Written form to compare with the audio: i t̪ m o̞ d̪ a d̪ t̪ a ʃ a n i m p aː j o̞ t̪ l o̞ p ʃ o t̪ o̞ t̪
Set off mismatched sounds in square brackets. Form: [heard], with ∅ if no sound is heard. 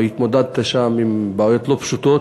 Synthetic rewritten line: i t̪ m o̞ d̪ a d̪ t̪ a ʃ a [m] i m [b] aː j o̞ t̪ l o̞ p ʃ [u] t̪ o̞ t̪